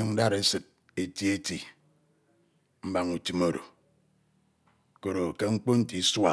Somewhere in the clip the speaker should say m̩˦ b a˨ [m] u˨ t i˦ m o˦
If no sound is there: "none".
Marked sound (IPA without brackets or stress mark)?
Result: ŋ